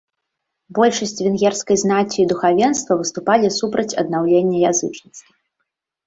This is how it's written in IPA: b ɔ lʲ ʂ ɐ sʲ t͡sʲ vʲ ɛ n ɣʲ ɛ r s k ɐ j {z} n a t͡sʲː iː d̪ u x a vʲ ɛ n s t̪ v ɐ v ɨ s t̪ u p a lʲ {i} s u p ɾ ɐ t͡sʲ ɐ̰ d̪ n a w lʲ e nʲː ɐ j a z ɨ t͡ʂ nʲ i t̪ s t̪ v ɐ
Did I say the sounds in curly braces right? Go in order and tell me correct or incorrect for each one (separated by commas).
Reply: correct, correct